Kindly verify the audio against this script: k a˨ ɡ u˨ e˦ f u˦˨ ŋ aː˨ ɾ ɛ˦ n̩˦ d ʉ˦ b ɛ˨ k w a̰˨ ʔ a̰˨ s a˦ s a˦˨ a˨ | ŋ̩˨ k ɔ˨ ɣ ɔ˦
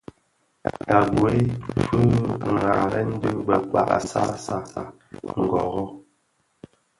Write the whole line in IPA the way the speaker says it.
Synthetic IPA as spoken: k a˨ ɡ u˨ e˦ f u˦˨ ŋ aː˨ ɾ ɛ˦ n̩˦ d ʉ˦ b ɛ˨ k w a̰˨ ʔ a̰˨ s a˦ s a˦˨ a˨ | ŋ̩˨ ɡ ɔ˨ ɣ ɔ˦

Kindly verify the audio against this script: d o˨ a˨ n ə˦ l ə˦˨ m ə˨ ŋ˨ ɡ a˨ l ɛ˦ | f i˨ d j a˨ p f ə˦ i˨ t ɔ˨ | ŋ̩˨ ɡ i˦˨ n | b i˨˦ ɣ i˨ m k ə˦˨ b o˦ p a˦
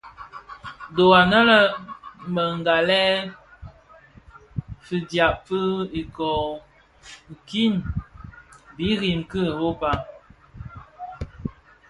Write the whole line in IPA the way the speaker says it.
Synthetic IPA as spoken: d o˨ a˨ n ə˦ l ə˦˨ m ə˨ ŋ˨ ɡ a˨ l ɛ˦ | f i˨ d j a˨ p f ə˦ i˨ k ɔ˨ | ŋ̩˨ k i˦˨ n | b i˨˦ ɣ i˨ m k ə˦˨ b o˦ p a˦

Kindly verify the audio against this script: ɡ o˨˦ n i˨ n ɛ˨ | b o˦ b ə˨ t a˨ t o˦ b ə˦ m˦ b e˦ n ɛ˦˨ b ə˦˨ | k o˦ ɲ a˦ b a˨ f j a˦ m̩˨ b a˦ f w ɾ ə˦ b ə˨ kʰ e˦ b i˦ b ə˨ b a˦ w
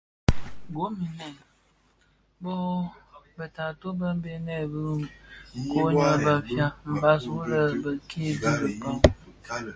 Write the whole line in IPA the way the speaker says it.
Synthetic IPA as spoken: ɡ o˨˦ m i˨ n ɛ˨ | b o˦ b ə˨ t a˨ t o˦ b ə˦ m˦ b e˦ n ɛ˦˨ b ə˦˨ | k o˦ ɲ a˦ b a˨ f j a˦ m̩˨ b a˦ s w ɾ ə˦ b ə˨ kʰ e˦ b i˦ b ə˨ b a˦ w

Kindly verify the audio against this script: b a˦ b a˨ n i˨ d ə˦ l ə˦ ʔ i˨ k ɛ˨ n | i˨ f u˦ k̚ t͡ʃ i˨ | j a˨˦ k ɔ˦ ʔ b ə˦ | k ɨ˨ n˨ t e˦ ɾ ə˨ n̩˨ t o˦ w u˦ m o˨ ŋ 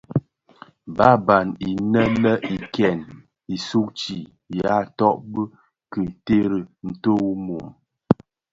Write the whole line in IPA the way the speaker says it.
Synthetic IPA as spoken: b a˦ b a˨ n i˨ n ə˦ l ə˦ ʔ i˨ k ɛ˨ n | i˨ s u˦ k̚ t͡ʃ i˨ | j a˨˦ t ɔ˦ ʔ b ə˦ | k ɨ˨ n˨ t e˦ ɾ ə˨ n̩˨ t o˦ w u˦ m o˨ m

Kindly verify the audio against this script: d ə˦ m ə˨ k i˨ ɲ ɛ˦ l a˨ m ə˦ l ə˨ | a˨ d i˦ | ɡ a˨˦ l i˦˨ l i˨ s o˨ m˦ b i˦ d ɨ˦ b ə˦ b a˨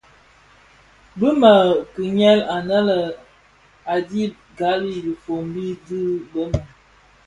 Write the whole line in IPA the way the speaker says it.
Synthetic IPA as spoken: b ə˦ m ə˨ k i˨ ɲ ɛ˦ l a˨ n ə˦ l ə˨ | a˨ d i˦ | ɡ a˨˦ l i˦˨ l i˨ f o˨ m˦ b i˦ d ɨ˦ b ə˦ m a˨

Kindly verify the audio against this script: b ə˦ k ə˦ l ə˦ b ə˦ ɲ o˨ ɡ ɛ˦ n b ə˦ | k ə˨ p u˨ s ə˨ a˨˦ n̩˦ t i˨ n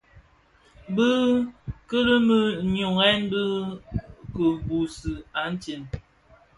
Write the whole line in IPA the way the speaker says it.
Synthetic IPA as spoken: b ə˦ k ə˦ l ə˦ m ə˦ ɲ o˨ ŋ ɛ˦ n b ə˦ | k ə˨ b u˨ s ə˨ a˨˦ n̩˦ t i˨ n

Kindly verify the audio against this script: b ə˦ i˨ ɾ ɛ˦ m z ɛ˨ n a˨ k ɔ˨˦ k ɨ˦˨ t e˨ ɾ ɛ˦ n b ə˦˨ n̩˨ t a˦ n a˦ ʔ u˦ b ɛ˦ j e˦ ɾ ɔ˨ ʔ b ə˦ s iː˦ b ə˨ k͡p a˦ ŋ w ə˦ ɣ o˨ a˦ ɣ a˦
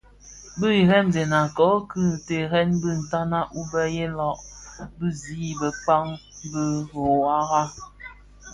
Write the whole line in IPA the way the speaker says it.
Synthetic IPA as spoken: b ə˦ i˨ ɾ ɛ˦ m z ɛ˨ n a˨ k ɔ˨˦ k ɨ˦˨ t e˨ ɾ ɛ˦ n b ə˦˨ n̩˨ t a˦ n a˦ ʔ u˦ b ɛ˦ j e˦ l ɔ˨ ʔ b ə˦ z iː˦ b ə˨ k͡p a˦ ŋ b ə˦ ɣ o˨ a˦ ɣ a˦

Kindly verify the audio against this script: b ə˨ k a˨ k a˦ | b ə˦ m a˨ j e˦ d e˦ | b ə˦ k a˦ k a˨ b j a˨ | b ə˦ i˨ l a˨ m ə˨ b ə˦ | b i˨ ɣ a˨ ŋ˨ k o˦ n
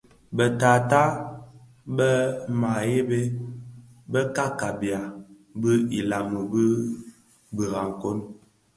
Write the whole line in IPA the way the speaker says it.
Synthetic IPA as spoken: b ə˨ t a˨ t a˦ | b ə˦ m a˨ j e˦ b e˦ | b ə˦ k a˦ k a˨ b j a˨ | b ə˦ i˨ l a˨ m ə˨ b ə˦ | b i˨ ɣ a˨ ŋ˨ k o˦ n

